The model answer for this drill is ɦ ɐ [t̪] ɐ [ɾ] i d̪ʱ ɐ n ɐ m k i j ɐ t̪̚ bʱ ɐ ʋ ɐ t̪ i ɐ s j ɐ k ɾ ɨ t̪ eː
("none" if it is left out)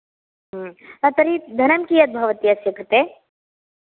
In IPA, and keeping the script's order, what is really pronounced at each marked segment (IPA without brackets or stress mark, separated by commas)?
t̪, ɾ